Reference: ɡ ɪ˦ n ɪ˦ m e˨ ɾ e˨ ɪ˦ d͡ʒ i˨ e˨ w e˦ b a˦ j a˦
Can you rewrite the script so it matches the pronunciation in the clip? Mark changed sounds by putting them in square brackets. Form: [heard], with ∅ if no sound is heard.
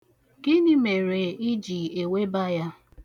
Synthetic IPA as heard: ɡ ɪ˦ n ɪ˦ m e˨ ɾ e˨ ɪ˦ d͡ʒ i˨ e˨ w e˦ b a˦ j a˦